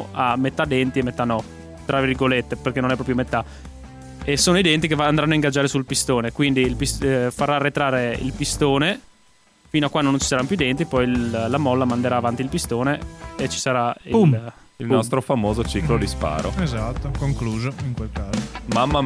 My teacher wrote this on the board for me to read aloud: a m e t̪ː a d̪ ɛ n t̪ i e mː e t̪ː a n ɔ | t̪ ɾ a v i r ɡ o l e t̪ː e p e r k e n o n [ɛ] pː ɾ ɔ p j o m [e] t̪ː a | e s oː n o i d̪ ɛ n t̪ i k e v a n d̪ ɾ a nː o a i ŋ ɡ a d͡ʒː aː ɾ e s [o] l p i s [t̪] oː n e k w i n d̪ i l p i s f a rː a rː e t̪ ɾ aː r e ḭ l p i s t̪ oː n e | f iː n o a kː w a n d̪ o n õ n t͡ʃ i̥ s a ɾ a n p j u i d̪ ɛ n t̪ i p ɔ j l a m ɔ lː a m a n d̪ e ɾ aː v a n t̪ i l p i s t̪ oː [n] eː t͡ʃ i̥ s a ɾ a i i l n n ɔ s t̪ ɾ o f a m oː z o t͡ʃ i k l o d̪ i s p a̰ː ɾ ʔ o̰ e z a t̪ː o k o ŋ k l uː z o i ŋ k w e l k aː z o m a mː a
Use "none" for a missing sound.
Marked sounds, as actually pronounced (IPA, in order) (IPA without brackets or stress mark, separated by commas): ɛ, e, u, t̪, n